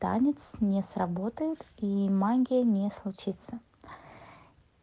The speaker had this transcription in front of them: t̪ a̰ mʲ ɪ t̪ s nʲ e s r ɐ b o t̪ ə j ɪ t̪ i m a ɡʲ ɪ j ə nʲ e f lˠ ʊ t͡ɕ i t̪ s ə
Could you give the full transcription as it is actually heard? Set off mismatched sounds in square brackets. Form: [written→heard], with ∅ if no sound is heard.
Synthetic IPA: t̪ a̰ [mʲ→nʲ] ɪ t̪ s nʲ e s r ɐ b o t̪ ə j ɪ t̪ i m a ɡʲ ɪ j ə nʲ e [f→s] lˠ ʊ t͡ɕ i t̪ s ə